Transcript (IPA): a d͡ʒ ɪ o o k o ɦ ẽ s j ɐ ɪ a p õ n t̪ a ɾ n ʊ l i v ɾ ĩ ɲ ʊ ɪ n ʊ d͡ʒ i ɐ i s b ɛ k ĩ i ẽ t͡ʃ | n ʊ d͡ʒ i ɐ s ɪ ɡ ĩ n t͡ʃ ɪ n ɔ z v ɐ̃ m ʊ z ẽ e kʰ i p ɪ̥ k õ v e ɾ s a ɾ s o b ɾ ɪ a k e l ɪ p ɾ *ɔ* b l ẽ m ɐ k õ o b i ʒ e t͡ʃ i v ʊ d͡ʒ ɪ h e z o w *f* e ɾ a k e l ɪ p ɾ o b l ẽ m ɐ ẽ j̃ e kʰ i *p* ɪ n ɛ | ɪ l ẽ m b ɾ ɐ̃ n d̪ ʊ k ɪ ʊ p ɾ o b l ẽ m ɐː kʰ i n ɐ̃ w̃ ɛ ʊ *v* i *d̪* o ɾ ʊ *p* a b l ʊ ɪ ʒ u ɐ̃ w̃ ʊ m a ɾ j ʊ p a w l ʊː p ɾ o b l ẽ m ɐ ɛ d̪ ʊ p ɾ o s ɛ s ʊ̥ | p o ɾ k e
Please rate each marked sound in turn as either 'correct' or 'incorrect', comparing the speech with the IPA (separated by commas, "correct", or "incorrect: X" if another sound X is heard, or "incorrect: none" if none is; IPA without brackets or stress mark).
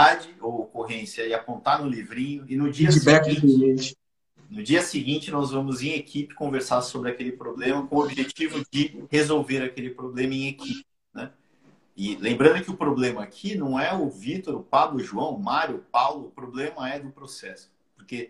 incorrect: o, incorrect: v, correct, correct, incorrect: t̪, correct